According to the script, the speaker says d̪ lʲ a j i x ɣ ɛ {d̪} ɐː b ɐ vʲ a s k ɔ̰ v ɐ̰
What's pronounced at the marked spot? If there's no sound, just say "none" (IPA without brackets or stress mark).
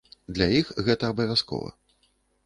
t̪